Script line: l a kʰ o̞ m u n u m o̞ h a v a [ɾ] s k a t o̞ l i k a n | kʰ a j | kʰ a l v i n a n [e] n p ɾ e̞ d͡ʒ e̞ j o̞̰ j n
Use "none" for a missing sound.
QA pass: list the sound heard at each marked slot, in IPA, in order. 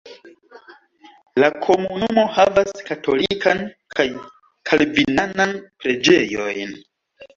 none, a

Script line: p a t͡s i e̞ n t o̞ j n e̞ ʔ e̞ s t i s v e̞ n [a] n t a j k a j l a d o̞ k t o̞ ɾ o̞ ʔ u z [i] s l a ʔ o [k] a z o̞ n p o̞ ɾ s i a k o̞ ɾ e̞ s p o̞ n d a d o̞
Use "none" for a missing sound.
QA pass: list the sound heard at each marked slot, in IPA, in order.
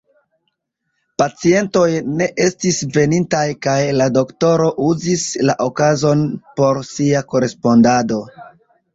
i, i, k

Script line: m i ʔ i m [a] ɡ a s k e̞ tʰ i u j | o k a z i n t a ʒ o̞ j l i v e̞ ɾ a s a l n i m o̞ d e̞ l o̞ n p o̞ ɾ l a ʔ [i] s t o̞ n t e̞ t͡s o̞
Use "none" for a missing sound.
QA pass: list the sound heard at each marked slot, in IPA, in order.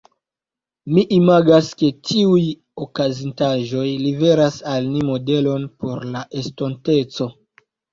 a, e

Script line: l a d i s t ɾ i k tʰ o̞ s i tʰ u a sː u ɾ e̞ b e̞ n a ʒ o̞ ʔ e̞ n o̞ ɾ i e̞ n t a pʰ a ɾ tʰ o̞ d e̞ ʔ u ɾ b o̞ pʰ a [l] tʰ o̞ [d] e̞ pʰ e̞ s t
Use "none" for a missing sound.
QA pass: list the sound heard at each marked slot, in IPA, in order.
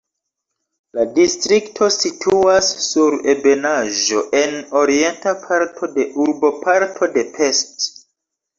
ɾ, d

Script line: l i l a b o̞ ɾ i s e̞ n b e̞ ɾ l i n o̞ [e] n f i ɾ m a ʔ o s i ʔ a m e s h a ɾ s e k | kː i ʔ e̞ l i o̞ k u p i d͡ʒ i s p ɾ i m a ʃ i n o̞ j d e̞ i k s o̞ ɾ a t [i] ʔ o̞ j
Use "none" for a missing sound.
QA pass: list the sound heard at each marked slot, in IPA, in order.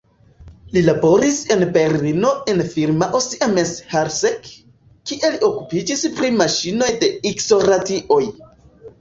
e, i

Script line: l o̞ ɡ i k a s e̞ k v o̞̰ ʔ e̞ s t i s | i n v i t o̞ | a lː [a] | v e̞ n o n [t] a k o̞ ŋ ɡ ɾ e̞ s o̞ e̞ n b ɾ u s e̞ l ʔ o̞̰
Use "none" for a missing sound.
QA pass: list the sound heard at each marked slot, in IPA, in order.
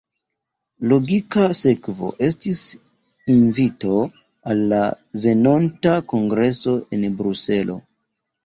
a, t

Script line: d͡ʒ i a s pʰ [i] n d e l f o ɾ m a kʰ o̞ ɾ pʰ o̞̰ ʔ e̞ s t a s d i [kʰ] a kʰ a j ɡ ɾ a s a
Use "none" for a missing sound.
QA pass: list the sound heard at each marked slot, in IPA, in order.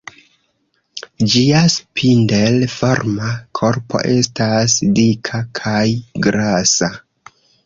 i, kʰ

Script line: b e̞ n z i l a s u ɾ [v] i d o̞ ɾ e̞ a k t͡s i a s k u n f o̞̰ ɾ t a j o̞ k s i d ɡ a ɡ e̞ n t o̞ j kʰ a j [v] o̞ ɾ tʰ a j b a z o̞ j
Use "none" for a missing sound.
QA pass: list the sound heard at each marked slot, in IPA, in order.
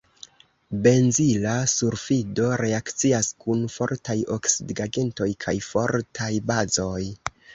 f, f

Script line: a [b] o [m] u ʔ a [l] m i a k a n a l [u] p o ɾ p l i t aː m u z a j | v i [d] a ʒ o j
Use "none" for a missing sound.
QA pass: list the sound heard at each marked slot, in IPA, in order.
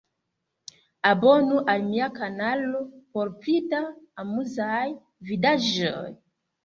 b, n, l, o, d

